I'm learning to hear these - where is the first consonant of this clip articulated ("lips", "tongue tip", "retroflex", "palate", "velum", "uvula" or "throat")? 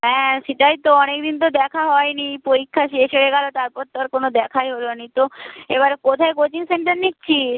throat